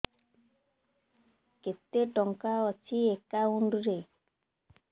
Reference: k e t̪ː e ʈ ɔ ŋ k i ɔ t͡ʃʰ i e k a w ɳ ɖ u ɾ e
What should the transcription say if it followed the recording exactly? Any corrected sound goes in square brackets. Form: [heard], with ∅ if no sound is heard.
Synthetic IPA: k e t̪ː e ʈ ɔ ŋ k [a] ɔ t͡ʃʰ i e k a [u] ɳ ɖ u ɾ e